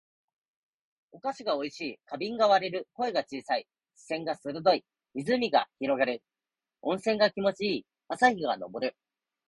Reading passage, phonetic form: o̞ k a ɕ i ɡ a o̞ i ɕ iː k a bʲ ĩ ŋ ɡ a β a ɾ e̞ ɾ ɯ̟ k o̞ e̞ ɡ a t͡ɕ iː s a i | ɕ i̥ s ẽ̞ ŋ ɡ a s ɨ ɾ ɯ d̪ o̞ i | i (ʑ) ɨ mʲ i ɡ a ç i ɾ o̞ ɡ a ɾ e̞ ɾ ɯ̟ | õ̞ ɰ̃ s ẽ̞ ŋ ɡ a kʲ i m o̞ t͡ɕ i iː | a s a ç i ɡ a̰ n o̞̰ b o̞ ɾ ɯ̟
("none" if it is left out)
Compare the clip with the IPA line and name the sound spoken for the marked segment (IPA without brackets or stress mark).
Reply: z